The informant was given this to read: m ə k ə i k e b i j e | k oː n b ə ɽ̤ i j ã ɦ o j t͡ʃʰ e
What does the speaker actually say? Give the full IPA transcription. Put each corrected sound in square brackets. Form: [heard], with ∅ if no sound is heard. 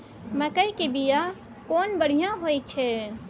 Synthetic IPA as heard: m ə k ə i k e b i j [a] | k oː n b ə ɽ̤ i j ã ɦ o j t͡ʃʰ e